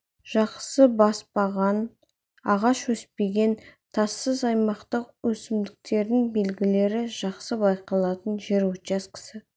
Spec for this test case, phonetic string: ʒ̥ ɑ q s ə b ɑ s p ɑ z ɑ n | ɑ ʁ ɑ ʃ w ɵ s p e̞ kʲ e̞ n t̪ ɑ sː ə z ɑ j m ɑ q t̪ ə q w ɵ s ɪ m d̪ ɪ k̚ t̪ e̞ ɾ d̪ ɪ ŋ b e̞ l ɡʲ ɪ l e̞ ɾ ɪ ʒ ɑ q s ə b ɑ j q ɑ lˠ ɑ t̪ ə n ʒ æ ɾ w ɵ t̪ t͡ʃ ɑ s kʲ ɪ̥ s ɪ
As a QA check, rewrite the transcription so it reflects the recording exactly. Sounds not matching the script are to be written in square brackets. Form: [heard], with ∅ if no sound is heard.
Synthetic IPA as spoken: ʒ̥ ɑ q s ə b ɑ s p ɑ [ʁ] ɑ n | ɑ ʁ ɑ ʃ w ɵ s p e̞ [ɡʲ] e̞ n [t̪ʰ] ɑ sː ə z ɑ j m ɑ q t̪ ə q w ɵ s ɪ m d̪ ɪ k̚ t̪ e̞ ɾ d̪ ɪ ŋ b e̞ l ɡʲ ɪ l e̞ ɾ ɪ ʒ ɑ q s ə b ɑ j q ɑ lˠ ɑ t̪ ə n ʒ [e] ɾ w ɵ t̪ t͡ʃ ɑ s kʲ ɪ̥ s ɪ

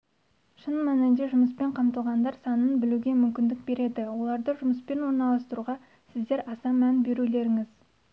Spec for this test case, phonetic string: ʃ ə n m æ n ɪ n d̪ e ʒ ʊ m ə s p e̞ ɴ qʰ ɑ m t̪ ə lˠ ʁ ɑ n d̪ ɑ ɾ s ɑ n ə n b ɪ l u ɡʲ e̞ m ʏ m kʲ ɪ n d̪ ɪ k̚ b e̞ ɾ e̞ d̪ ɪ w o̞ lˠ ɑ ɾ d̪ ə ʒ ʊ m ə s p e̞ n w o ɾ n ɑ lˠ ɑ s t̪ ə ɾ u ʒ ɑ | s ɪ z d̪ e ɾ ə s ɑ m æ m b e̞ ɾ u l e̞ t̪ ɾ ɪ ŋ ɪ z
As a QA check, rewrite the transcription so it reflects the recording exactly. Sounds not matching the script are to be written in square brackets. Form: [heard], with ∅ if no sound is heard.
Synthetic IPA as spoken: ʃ ə n m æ n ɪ n d̪ e ʒ ʊ m ə s p e̞ ɴ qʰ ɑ m t̪ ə lˠ ʁ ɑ n d̪ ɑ ɾ s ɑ n ə n b ɪ l u ɡʲ e̞ m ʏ m kʲ ɪ n d̪ ɪ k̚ b e̞ ɾ e̞ d̪ ɪ w o̞ lˠ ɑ ɾ d̪ ə ʒ ʊ m ə s p e̞ n w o ɾ n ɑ lˠ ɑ s t̪ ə ɾ u [ʁ] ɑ | s ɪ z d̪ e ɾ [ɑ] s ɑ m æ [n] b e̞ ɾ u l e̞ [∅] ɾ ɪ ŋ ɪ z

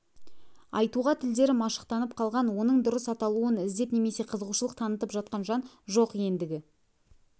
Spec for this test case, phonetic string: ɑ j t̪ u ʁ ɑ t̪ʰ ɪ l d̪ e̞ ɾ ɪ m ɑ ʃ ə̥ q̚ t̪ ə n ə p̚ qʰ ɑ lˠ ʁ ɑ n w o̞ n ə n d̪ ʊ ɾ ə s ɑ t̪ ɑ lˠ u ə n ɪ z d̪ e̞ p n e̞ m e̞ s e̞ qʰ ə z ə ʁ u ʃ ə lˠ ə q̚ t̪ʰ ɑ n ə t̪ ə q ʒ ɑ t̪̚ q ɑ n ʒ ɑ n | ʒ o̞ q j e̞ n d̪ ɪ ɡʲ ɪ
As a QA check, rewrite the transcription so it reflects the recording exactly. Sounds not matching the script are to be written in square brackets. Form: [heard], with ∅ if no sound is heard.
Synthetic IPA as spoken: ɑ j t̪ u ʁ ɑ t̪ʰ ɪ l d̪ e̞ ɾ ɪ m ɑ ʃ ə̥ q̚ t̪ [ɑ] n ə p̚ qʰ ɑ lˠ ʁ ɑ n w o̞ n ə [ɴ] d̪ ʊ ɾ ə s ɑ t̪ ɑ lˠ u ə n ɪ z d̪ e̞ p n e̞ m e̞ s e̞ qʰ ə z ə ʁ u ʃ ə lˠ ə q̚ t̪ʰ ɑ n ə t̪ ə [p] ʒ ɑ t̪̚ q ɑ n ʒ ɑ n | ʒ o̞ q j e̞ n d̪ ɪ ɡʲ ɪ

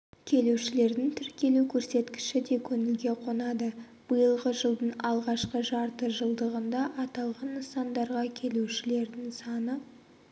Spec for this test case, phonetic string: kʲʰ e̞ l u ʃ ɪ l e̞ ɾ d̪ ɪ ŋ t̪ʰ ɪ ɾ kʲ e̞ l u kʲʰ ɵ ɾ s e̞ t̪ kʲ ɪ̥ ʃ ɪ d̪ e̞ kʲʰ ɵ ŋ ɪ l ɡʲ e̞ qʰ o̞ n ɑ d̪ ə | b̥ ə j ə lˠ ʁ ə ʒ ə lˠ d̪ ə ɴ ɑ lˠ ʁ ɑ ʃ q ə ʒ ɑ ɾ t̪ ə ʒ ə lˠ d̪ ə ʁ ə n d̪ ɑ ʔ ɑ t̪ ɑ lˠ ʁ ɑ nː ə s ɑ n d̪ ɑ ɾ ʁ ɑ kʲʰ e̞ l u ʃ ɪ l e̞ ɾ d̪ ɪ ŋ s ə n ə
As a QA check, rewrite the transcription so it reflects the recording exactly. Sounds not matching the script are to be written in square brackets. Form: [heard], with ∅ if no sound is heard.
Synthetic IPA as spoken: kʲʰ e̞ l u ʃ ɪ l e̞ ɾ d̪ ɪ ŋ t̪ʰ ɪ ɾ kʲ e̞ l u kʲʰ ɵ ɾ s e̞ t̪ kʲ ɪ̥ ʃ ɪ d̪ e̞ kʲʰ ɵ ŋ ɪ l ɡʲ e̞ qʰ o̞ n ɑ d̪ ə | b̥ ə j ə lˠ ʁ ə ʒ ə lˠ d̪ ə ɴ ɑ lˠ ʁ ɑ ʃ q ə ʒ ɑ ɾ t̪ ə ʒ ə lˠ d̪ ə ʁ ə n d̪ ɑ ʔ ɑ t̪ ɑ lˠ ʁ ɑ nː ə s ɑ n d̪ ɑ ɾ ʁ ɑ kʲʰ e̞ l u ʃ ɪ l e̞ ɾ d̪ ɪ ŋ s [ɑ] n ə

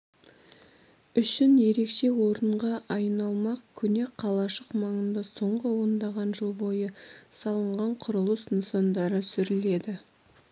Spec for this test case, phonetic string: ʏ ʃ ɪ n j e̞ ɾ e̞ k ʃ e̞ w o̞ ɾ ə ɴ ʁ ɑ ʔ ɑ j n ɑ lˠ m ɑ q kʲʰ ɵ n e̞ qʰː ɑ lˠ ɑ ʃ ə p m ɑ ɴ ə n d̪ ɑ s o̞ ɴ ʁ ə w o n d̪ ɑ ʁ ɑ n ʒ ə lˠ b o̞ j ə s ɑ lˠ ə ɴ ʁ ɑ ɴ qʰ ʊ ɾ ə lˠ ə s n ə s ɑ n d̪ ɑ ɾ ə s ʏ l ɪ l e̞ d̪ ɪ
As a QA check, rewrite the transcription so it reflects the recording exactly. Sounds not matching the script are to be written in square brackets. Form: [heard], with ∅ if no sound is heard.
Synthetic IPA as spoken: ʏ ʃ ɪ n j e̞ ɾ e̞ k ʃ e̞ w o̞ ɾ ə ɴ ʁ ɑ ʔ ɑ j n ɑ lˠ m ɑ q kʲʰ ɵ n e̞ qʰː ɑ lˠ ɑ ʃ ə [q] m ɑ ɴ ə n d̪ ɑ s o̞ ɴ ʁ ə w o n d̪ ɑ ʁ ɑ n ʒ ə lˠ b o̞ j ə s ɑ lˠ ə ɴ ʁ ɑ ɴ qʰ ʊ ɾ ə lˠ ə s n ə s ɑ n d̪ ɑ ɾ ə s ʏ [ɾ] ɪ l e̞ d̪ ɪ

